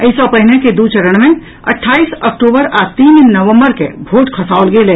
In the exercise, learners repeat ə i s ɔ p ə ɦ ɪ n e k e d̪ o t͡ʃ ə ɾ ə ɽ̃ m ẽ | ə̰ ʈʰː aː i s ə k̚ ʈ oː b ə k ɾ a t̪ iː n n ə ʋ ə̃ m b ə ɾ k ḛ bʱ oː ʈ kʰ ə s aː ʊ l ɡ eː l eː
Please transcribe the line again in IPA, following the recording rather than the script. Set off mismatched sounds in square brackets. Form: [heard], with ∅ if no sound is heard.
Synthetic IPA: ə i s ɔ p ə ɦ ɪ n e k e d̪ [u] t͡ʃ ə ɾ ə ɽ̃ m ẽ | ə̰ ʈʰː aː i s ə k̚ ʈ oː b ə [∅] ɾ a t̪ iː n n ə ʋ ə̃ m b ə ɾ k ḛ bʱ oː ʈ kʰ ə s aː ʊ l ɡ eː l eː